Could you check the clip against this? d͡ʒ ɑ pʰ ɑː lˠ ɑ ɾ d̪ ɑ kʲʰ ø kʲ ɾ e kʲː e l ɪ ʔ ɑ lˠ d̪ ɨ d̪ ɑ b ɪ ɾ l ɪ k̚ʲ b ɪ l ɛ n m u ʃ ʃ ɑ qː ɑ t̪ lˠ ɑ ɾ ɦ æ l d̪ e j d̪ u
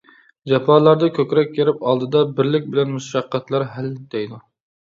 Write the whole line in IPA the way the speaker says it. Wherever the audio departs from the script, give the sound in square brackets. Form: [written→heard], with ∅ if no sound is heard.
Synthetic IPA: d͡ʒ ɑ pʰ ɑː lˠ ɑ ɾ d̪ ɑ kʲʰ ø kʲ ɾ [e→ɛ] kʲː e [l→ɾ] ɪ [ʔ→p] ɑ lˠ d̪ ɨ d̪ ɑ b ɪ ɾ l ɪ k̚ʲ b ɪ l ɛ n m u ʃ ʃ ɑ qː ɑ t̪ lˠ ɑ ɾ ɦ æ l d̪ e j d̪ u